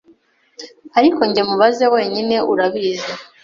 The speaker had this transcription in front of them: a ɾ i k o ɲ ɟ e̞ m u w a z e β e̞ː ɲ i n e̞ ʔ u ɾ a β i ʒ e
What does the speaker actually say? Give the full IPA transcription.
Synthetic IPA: a ɾ i k o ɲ ɟ e̞ m u β a z e w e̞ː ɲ i n e̞ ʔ u ɾ a β i z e